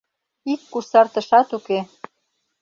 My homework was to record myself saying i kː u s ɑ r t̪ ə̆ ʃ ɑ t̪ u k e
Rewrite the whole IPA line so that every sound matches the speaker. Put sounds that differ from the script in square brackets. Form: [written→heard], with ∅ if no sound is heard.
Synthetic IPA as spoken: i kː u s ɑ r t̪ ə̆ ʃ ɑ t̪ u k e